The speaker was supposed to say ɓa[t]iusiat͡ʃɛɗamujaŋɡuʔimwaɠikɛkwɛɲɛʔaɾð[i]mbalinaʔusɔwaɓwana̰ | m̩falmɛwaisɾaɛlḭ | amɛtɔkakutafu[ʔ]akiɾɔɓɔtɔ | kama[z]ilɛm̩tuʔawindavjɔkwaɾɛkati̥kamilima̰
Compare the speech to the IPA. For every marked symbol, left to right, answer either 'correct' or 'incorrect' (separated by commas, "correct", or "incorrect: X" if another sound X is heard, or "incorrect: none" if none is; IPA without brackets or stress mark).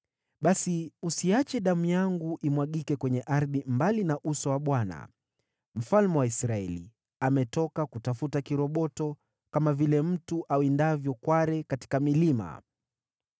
incorrect: s, correct, incorrect: t, incorrect: v